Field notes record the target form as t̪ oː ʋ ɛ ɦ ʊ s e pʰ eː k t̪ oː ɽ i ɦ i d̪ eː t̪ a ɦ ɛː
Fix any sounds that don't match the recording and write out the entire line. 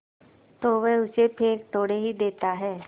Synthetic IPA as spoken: t̪ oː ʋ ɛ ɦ ʊ s e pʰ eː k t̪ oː ɽ e ɦ i d̪ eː t̪ a ɦ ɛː